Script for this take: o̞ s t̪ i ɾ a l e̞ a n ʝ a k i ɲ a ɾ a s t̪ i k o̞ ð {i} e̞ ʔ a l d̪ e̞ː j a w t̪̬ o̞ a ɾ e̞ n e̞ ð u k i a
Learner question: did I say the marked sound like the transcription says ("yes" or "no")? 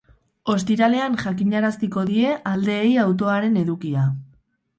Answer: yes